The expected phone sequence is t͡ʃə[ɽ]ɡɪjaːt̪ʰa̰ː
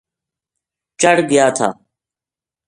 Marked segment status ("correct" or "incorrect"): correct